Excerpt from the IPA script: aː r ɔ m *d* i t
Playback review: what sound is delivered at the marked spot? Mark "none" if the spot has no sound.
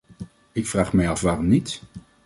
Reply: n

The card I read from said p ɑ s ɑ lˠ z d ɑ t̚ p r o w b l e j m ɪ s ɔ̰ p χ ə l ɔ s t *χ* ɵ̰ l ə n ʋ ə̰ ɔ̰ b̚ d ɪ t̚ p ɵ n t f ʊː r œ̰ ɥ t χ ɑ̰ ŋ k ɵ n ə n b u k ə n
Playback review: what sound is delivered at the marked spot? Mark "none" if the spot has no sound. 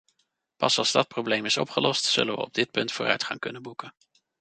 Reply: s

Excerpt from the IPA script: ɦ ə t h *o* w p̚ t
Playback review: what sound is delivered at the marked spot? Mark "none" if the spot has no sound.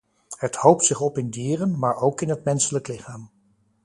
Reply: o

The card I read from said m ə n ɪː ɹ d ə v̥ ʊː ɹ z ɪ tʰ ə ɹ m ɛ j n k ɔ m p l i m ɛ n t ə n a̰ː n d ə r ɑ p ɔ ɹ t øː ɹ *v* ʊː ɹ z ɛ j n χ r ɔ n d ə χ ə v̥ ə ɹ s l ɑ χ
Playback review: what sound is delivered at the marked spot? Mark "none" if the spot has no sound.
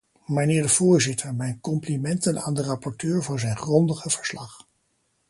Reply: v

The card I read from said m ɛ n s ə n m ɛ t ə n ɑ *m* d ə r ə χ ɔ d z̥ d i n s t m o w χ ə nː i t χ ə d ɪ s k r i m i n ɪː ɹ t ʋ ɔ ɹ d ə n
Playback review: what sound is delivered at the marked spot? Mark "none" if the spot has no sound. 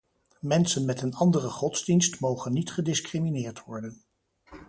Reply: n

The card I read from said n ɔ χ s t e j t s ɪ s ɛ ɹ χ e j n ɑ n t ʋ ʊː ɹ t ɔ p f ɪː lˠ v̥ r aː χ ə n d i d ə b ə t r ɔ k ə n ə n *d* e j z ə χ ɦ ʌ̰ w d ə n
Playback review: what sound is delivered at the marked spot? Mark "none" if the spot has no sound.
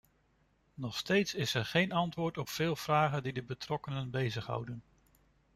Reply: b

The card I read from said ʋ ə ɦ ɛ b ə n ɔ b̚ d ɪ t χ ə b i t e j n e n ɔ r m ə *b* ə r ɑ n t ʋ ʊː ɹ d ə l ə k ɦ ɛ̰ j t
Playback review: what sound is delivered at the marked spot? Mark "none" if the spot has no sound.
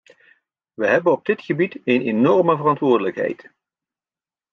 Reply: v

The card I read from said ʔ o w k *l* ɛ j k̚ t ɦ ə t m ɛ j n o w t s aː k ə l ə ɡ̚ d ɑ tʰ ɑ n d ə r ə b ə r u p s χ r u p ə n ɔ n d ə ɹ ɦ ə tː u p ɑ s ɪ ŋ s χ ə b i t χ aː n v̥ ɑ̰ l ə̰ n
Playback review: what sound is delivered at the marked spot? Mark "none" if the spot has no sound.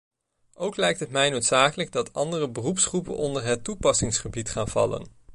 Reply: l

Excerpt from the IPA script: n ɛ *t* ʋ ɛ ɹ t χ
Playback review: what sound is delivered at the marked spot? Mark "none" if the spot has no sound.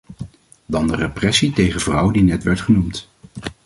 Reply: t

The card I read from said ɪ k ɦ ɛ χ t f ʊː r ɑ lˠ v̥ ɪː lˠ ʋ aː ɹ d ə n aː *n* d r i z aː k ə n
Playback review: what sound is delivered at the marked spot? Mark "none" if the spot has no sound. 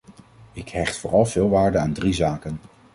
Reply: n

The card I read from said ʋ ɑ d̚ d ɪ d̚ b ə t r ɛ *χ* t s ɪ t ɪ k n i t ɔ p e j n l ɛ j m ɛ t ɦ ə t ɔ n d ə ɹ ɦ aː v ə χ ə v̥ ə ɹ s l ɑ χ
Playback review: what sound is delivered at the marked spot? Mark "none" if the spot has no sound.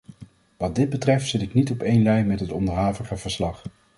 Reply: f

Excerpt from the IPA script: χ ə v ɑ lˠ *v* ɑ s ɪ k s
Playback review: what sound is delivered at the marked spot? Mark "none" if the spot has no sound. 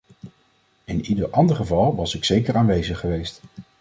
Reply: ʋ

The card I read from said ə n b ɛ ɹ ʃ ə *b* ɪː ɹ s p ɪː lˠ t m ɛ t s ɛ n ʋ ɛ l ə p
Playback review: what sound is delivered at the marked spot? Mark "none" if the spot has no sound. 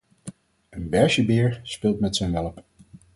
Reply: b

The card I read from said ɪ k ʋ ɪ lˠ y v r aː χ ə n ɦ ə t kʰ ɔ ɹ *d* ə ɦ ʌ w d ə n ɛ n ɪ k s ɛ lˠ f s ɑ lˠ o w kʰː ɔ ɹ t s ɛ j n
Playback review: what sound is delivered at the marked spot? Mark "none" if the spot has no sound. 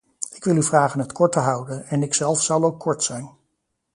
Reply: t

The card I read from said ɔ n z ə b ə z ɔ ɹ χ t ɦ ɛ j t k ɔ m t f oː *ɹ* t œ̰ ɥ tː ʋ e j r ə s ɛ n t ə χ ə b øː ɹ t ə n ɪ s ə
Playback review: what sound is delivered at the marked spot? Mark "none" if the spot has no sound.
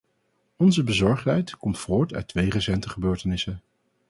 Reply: ɹ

